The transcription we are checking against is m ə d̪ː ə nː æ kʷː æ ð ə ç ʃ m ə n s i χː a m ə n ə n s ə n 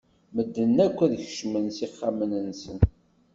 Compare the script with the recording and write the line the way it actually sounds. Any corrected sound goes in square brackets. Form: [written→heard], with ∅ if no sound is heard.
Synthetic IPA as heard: m ə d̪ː ə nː æ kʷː æ ð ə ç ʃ m ə n s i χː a m ə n ə n s ə n

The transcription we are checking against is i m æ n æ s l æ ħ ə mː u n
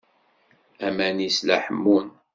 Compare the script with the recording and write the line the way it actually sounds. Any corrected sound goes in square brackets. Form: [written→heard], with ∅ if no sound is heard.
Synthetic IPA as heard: [i→æ] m æ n [æ→i] s l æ ħ ə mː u n

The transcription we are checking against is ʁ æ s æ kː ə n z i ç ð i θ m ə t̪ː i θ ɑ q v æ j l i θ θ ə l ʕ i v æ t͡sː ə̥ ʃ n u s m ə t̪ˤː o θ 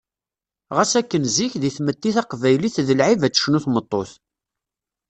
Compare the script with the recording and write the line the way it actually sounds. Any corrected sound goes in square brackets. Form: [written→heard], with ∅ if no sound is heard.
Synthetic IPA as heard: ʁ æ s æ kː ə n z i ç ð i θ m ə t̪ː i θ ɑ q v æ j l i θ [θ→ð] ə l ʕ i v æ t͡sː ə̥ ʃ n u [s→θ] m ə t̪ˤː o θ

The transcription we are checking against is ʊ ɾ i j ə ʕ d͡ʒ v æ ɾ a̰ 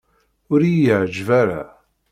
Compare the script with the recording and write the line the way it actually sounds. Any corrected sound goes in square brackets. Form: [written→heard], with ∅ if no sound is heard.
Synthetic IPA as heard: ʊ ɾ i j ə ʕ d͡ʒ v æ ɾ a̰

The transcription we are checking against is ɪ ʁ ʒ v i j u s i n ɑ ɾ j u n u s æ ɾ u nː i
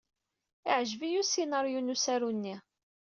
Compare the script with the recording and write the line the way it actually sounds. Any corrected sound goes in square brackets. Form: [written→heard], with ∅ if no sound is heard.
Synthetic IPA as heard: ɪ [ʁ→ʕ] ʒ v i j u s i n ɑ ɾ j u n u s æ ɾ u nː i

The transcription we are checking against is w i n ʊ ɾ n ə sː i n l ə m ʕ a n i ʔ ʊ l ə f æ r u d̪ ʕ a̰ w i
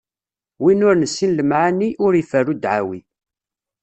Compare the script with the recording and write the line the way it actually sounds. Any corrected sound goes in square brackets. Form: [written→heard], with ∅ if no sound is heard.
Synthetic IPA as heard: w i n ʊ ɾ n ə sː i n l ə m ʕ a n i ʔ ʊ [l→ɾ] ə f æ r u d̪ ʕ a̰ w i

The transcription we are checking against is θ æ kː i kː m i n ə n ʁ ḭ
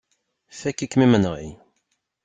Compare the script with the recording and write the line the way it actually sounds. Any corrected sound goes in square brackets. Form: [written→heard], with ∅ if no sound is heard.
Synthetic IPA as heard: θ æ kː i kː m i [n→m] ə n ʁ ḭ

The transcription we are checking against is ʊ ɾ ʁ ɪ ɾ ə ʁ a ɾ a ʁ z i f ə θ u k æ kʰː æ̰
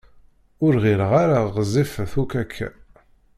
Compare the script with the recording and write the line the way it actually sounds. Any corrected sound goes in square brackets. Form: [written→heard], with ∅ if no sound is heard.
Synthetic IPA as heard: ʊ ɾ ʁ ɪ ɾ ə ʁ a ɾ a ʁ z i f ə θ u k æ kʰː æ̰

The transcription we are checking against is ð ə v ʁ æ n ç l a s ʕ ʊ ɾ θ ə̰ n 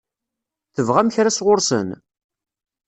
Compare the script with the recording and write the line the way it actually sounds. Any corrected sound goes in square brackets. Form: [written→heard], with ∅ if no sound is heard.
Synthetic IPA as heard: [ð→θ] ə v ʁ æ [n→m] ç [l→ɾ] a s [ʕ→ʁ] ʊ ɾ [θ→s] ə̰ n

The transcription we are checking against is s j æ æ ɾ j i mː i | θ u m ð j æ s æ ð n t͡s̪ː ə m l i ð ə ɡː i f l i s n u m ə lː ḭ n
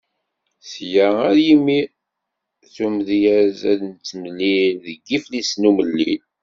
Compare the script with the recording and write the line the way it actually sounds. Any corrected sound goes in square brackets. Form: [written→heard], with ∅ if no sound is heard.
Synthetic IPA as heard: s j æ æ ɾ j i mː i | θ u m ð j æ [s→z] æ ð n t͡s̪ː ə m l i ð ə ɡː i f l i s n u m ə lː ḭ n

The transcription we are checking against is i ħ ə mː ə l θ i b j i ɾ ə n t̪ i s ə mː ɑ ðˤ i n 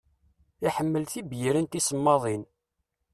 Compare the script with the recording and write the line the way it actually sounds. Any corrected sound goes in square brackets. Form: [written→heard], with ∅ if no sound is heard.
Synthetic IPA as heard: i ħ ə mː ə l θ i b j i ɾ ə n t̪ i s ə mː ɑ ðˤ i n

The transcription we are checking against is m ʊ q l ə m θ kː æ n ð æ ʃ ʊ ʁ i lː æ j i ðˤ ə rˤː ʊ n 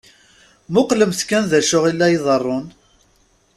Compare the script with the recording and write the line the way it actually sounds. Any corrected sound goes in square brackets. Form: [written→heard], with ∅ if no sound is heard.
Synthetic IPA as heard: m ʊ q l ə m θ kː æ n ð æ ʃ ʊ ʁ i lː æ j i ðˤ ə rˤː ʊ n

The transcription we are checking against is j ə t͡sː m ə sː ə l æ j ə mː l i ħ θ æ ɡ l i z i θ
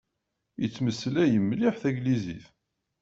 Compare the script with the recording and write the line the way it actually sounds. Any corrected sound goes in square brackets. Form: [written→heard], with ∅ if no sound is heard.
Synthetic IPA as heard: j ə t͡sː m ə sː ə l æ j ə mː l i ħ θ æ ɡ l i z i θ

